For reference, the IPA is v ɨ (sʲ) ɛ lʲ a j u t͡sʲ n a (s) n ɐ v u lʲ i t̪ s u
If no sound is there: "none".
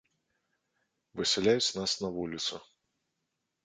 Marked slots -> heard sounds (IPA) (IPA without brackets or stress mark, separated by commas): sʲ, s